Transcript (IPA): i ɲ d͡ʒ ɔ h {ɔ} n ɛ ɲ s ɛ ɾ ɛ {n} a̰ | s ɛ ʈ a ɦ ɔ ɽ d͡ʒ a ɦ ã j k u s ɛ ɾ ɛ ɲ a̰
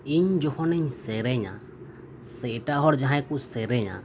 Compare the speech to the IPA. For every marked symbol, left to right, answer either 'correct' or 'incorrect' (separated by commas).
correct, incorrect